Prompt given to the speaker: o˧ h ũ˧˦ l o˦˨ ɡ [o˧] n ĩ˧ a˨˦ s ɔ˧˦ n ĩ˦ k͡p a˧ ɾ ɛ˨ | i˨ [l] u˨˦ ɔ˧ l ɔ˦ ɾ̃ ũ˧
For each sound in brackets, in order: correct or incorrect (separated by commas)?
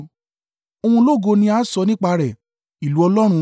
correct, correct